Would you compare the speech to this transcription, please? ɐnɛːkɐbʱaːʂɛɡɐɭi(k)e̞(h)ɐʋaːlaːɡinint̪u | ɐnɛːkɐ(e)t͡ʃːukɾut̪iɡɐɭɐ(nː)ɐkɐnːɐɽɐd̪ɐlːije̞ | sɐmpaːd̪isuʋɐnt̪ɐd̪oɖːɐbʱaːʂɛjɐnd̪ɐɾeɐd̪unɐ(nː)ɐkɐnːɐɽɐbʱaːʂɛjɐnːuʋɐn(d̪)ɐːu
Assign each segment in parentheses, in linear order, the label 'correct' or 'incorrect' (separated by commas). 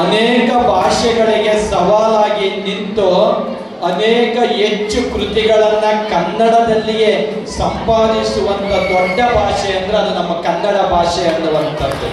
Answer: incorrect, incorrect, correct, correct, incorrect, incorrect